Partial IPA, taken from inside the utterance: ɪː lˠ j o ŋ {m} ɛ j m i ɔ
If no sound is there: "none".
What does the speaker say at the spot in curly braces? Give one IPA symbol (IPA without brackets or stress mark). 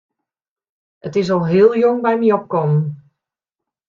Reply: b